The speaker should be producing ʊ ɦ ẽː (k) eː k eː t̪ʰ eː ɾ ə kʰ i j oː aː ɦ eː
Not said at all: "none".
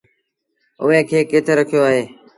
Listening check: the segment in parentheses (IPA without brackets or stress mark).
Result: kʰ